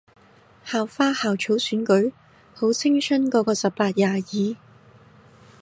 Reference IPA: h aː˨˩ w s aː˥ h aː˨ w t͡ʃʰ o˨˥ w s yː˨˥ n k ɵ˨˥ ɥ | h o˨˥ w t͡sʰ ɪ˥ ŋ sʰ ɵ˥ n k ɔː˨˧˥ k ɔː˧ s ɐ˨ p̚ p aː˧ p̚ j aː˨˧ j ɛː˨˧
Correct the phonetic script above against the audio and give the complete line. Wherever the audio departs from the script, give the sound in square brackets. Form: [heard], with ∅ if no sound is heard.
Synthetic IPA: h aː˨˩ w [f] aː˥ h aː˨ w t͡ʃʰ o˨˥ w s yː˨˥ n k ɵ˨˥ ɥ | h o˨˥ w t͡sʰ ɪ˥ ŋ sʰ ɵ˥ n k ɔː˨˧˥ k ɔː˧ s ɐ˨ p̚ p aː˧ [t̚] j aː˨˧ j [iː˨˧]